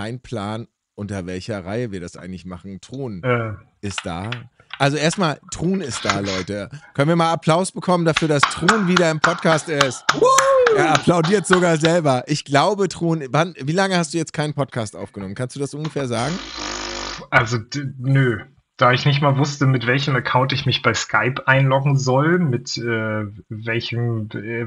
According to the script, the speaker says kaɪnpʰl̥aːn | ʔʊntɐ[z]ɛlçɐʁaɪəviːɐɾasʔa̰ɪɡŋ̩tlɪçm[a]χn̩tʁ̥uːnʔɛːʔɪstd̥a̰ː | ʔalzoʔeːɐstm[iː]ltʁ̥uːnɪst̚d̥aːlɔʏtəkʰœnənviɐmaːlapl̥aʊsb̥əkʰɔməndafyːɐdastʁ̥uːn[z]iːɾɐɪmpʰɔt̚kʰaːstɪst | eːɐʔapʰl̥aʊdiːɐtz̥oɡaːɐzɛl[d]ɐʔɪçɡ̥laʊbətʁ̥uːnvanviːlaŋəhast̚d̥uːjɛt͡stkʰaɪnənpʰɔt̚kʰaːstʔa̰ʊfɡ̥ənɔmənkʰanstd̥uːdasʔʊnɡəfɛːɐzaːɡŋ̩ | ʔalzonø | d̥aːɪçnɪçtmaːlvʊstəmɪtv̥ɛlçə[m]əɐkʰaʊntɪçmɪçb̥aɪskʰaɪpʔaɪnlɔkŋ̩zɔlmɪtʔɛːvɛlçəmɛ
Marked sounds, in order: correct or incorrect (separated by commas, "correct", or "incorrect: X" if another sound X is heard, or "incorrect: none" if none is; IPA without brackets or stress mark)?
incorrect: v, correct, incorrect: aː, incorrect: v, incorrect: b, correct